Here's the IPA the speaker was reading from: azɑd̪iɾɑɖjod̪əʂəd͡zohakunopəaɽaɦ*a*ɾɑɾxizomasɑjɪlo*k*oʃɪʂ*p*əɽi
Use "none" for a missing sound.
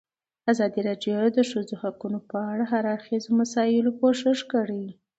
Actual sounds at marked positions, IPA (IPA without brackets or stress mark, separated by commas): a, k, k